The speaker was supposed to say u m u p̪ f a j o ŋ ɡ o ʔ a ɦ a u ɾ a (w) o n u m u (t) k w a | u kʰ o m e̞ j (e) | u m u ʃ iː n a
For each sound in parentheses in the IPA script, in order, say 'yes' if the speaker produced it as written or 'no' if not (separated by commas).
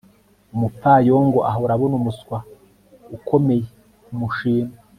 no, no, yes